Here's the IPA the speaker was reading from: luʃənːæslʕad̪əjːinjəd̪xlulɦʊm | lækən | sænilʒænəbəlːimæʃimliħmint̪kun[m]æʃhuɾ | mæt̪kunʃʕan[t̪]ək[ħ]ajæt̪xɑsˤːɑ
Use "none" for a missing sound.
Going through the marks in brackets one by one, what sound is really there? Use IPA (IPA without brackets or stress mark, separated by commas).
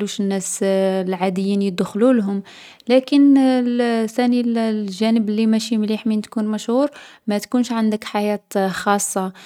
m, d̪, ħ